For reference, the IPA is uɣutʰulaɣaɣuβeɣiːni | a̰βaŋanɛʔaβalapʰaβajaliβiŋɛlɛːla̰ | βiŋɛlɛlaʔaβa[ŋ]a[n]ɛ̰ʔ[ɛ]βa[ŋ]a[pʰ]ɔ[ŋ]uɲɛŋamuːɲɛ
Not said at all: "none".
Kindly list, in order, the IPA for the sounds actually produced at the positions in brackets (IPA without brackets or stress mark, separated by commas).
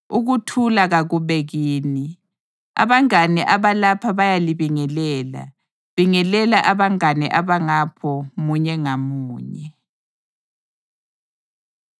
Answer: ŋ, n, a, ŋ, pʰ, m